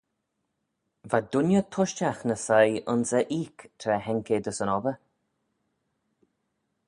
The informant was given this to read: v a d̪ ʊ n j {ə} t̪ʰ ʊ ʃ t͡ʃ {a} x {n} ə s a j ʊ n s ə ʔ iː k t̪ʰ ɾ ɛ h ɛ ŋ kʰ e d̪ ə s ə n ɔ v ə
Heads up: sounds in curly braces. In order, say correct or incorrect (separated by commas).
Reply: correct, correct, correct